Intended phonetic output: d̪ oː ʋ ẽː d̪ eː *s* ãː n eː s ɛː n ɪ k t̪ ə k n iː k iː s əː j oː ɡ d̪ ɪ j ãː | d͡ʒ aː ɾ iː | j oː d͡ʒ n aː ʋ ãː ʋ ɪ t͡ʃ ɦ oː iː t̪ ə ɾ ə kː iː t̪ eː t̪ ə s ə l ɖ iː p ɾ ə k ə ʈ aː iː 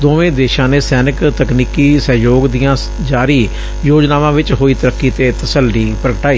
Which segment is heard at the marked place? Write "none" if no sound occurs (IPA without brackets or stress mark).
ʃ